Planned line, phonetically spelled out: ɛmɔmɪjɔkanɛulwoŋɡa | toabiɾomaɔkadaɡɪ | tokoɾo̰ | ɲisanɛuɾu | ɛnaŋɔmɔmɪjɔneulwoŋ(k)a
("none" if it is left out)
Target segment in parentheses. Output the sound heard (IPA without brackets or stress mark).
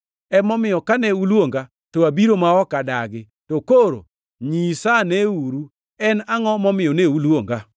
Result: ɡ